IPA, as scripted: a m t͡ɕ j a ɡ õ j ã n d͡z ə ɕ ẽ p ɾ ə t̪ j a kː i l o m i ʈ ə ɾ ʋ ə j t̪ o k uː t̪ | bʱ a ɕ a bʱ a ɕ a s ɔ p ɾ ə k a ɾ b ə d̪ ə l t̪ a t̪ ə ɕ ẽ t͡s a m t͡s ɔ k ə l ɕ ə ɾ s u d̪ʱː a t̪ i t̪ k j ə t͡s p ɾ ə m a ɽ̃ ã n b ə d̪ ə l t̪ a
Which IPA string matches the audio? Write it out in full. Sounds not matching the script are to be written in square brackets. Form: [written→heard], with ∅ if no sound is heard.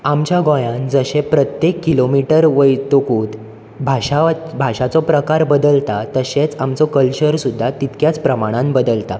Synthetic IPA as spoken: a m t͡ɕ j a ɡ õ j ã n d͡z ə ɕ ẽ p ɾ ə t̪ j [a→e] kː i l o m i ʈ ə ɾ ʋ ə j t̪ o k uː t̪ | bʱ a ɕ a bʱ a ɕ a [s→t͡s] ɔ p ɾ ə k a ɾ b ə d̪ ə l t̪ a t̪ ə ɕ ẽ t͡s a m t͡s ɔ k ə l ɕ ə ɾ s u d̪ʱː a t̪ i t̪ k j [ə→a] t͡s p ɾ ə m a ɽ̃ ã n b ə d̪ ə l t̪ a